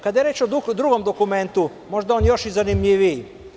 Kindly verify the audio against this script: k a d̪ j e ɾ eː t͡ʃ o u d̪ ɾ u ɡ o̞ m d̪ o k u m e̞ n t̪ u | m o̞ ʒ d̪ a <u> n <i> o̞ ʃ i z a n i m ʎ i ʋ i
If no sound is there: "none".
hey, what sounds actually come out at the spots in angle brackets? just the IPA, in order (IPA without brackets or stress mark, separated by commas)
o, j